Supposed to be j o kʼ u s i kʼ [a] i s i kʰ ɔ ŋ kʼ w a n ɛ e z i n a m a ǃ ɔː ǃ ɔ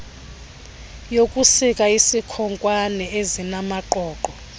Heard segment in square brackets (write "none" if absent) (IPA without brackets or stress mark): a